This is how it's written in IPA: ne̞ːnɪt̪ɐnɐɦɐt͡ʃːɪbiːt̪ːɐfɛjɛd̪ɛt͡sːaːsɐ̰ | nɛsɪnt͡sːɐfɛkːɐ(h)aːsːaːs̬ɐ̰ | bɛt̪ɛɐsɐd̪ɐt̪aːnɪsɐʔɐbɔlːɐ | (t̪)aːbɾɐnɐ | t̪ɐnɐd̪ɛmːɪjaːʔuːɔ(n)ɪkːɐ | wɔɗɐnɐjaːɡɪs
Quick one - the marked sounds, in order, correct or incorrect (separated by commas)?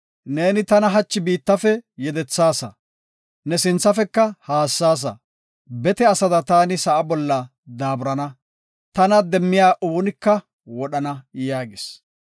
correct, incorrect, correct